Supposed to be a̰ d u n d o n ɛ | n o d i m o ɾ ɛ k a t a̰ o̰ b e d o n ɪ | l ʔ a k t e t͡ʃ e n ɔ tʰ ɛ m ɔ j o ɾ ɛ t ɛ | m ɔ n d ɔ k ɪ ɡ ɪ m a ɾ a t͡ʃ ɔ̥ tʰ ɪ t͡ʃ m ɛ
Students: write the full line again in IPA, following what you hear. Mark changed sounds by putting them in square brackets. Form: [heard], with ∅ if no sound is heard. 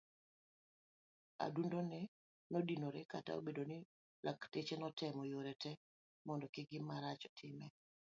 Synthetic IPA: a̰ d u n d o n ɛ | n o d i [n] o ɾ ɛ k a t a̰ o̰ b e d o n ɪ | l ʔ a k t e t͡ʃ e n ɔ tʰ ɛ m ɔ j o ɾ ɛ t ɛ | m ɔ n d ɔ k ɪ ɡ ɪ m a ɾ a t͡ʃ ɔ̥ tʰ ɪ [∅] m ɛ